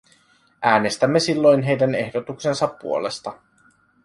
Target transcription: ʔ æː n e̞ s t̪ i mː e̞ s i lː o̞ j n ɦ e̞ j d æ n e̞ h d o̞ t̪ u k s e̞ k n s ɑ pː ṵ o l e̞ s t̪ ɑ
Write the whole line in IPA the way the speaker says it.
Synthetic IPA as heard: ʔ æː n e̞ s t̪ æ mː e̞ s i lː o̞ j n ɦ e̞ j d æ n e̞ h d o̞ t̪ u k s e̞ n s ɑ pː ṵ o l e̞ s t̪ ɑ